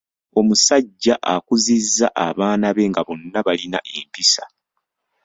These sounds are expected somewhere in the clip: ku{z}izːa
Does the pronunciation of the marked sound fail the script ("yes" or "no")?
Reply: no